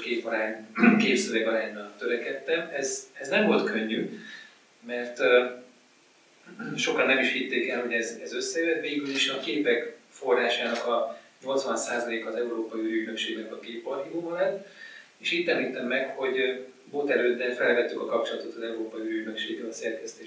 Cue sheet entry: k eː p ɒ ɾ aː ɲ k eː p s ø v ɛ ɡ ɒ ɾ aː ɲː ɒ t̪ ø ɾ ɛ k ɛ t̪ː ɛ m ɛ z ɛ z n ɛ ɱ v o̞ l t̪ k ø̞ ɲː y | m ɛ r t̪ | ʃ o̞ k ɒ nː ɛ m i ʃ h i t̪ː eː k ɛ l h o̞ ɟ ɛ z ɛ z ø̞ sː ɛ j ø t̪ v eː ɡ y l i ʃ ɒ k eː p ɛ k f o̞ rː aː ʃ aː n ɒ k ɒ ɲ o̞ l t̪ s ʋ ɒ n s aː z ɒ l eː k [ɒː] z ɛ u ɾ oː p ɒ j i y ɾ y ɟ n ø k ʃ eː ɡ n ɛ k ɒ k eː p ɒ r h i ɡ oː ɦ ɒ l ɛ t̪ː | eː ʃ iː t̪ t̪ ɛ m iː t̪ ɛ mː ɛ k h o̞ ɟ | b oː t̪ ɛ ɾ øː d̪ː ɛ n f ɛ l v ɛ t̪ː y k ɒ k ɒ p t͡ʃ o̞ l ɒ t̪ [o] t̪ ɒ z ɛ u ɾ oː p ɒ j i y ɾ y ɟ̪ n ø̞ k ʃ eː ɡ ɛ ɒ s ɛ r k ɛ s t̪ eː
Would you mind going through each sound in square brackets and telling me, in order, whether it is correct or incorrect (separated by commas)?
correct, correct